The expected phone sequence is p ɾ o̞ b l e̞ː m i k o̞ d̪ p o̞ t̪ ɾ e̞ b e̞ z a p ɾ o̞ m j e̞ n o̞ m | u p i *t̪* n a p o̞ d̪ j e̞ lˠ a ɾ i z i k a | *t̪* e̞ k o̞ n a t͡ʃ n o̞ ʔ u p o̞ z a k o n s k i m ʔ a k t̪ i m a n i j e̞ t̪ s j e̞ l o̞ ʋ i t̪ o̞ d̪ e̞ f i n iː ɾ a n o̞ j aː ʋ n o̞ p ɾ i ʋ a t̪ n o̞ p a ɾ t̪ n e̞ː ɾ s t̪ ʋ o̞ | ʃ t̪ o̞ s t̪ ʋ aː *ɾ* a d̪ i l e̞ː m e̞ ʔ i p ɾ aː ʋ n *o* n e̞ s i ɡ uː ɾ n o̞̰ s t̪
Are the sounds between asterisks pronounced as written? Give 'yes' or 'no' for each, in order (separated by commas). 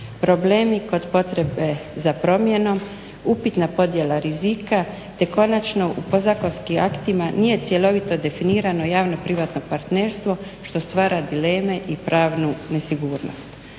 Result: yes, yes, yes, no